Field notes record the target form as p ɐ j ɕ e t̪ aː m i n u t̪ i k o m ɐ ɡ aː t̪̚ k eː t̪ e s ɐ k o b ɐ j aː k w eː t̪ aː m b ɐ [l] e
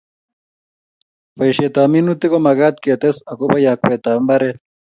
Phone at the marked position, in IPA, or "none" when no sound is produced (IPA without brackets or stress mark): ɾ